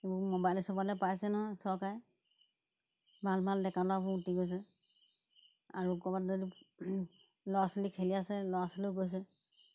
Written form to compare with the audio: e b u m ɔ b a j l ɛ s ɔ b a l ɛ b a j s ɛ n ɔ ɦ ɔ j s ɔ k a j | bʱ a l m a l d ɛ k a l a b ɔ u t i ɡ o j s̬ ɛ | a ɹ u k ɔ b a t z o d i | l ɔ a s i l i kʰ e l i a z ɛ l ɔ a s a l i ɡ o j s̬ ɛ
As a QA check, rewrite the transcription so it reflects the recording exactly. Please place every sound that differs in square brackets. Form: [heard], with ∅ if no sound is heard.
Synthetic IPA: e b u m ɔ b a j l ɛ s ɔ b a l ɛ [p] a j s ɛ n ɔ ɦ ɔ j s ɔ k a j | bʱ a l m a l d ɛ k a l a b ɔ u t i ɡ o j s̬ ɛ | a ɹ u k ɔ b a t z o d i | l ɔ a s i l i kʰ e l i a [s] ɛ l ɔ a s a l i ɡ o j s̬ ɛ